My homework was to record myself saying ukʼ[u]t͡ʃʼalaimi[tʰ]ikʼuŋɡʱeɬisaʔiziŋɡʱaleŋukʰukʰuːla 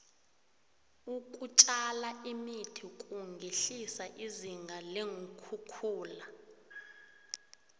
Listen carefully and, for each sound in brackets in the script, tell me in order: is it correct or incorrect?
correct, correct

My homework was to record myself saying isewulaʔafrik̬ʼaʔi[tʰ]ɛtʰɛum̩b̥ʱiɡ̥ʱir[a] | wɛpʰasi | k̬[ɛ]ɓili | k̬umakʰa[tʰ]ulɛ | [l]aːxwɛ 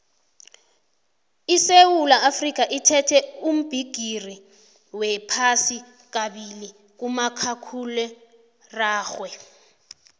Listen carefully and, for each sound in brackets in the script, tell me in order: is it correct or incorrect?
correct, incorrect: i, incorrect: a, incorrect: kʰ, incorrect: r

